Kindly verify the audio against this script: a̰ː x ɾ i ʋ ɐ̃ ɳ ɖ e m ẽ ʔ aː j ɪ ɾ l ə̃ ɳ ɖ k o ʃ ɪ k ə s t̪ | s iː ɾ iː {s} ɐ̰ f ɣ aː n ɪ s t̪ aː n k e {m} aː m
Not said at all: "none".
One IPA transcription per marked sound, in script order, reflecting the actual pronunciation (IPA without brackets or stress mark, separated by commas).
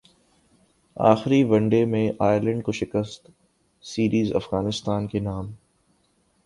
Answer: z, n